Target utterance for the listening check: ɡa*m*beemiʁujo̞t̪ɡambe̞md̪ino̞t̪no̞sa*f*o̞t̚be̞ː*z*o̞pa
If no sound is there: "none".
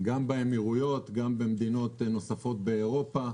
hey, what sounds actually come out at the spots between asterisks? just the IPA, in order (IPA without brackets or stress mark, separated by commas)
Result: m, f, ʁ